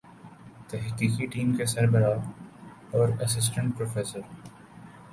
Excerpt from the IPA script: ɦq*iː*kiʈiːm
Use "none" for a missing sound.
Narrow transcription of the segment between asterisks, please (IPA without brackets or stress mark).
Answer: iː